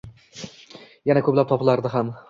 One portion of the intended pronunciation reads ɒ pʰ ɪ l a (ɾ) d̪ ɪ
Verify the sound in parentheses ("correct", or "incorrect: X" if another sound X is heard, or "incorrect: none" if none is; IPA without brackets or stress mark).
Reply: correct